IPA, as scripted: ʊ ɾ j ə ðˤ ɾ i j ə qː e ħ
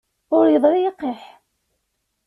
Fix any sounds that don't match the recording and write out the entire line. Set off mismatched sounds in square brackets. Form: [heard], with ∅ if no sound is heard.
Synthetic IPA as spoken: ʊ ɾ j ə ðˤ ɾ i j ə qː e ħ